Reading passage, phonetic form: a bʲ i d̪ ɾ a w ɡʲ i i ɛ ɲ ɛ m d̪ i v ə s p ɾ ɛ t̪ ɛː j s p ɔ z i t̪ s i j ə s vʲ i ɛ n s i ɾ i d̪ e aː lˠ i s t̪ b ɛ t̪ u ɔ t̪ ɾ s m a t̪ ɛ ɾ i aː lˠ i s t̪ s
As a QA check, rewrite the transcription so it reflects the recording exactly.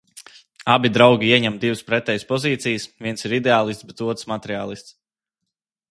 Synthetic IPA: a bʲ i d̪ ɾ a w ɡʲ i i ɛ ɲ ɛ m d̪ i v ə s p ɾ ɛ t̪ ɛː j s p ɔ z iː t̪ s i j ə s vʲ i ɛ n s i ɾ i d̪ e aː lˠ i s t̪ b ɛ t̪ u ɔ t̪ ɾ s m a t̪ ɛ ɾ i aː lˠ i s t̪ s